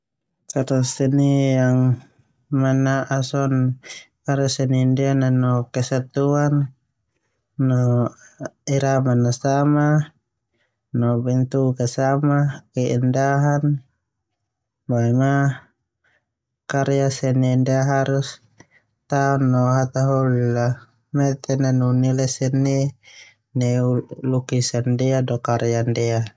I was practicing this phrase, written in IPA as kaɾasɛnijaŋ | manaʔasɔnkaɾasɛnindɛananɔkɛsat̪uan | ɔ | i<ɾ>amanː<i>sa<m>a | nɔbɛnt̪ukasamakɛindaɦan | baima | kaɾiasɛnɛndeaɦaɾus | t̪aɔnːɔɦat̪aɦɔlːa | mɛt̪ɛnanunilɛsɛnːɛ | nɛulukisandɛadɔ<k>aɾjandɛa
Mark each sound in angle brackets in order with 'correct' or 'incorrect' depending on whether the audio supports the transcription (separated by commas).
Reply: correct, incorrect, correct, correct